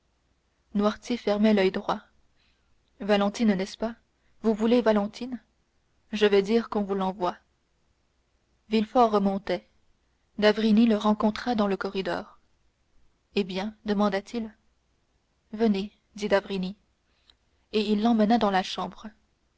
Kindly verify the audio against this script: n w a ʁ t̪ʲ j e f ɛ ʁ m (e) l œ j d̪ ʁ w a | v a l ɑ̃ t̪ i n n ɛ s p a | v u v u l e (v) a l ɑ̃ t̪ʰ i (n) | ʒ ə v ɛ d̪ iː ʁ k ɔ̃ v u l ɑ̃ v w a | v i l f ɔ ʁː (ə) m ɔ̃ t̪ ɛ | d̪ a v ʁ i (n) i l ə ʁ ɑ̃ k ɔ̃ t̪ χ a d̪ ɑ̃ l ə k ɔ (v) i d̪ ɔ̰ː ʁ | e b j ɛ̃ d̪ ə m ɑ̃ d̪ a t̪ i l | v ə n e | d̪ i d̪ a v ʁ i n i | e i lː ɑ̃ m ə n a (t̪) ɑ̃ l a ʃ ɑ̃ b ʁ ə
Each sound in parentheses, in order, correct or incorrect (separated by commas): incorrect, correct, correct, correct, correct, incorrect, incorrect